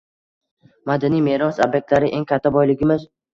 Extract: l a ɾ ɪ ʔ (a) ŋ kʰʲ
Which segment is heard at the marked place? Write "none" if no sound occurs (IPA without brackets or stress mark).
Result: e